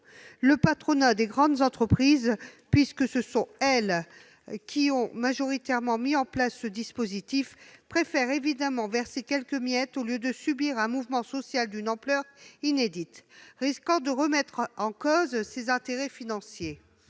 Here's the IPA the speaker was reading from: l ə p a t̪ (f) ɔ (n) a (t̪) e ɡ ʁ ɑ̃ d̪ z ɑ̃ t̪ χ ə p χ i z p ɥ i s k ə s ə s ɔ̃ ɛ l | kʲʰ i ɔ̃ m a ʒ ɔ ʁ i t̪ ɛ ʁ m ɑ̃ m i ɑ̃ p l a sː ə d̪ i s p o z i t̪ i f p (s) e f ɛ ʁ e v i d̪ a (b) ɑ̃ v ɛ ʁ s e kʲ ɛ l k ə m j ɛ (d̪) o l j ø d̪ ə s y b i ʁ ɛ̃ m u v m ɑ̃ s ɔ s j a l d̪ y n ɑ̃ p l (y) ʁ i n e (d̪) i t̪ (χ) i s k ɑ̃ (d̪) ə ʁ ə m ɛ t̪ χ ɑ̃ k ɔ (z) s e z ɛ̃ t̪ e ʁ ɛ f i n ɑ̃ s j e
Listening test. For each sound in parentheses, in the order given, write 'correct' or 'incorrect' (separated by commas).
incorrect, correct, incorrect, incorrect, incorrect, incorrect, incorrect, correct, incorrect, correct, correct